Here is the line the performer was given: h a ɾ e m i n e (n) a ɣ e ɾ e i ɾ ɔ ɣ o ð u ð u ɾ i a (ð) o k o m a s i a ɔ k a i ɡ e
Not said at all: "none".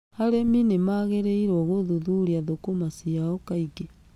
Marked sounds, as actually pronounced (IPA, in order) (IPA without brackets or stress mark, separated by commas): m, ð